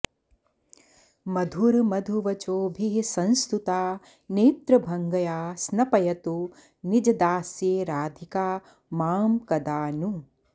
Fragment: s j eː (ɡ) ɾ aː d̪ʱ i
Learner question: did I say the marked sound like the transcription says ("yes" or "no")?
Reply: no